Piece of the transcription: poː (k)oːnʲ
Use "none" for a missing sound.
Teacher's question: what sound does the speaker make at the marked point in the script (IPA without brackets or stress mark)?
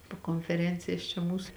k